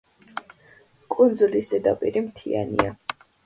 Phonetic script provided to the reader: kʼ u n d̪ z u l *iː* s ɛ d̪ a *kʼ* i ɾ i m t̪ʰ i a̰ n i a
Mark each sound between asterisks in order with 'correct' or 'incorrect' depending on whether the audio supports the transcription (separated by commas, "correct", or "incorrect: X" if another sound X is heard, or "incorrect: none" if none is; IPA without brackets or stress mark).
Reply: incorrect: i, incorrect: pʼ